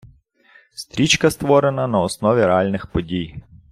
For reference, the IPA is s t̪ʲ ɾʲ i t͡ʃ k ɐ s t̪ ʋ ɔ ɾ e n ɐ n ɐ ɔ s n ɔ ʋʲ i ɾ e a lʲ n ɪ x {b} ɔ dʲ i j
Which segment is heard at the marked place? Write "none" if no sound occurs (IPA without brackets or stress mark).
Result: p